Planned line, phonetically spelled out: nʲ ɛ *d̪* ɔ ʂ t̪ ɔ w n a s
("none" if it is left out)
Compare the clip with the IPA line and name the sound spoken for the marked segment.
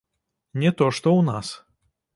t̪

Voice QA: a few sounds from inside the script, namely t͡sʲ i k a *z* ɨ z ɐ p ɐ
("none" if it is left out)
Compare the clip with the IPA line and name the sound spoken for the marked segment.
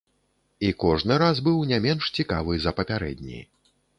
v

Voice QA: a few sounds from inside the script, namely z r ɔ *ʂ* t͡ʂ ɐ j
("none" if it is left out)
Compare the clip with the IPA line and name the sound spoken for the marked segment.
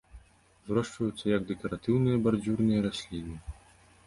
ʂ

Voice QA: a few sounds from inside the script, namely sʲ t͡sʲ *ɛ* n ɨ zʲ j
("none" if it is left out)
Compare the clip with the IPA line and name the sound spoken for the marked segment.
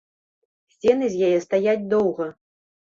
ɛ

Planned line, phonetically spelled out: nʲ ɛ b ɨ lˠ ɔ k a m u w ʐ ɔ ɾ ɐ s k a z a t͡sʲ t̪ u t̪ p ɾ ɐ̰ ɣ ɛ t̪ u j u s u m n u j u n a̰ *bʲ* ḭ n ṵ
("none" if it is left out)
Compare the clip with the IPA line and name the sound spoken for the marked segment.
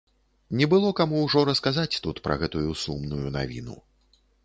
vʲ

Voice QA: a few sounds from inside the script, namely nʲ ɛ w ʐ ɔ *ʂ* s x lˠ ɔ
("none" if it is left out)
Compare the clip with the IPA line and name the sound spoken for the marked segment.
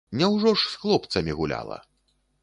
ʂ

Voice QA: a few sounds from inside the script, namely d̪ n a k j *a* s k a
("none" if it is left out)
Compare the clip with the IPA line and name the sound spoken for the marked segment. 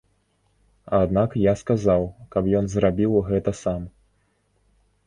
a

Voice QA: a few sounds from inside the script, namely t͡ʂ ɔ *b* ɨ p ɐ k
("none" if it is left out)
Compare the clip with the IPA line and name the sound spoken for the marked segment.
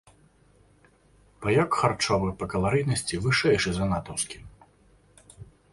v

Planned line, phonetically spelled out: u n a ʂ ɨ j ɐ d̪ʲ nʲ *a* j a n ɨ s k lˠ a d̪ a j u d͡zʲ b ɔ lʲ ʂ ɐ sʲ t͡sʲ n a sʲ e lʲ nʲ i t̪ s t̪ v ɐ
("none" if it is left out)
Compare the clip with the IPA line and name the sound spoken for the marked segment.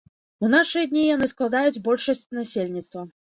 i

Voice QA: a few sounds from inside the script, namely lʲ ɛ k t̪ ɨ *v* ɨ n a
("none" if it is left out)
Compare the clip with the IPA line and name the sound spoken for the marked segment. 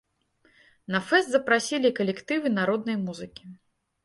v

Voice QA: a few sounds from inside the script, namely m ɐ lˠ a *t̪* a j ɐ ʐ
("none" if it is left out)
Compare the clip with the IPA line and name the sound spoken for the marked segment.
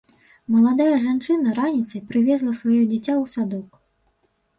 d̪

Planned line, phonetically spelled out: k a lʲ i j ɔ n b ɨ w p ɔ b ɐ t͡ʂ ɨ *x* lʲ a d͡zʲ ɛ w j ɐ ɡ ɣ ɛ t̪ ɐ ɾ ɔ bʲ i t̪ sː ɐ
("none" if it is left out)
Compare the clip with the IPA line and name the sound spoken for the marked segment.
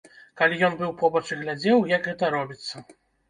ɣ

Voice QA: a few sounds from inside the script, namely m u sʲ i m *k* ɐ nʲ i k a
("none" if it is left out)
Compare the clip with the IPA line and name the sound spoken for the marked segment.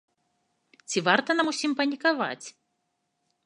p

